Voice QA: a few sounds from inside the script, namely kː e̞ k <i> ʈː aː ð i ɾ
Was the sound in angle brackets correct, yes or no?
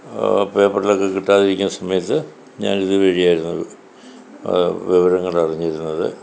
yes